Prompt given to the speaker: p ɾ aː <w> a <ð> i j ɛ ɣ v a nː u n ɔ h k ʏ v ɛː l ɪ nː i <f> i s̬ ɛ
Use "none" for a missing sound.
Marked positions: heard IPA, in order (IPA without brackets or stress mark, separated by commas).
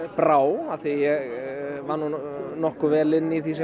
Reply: w, θ, θ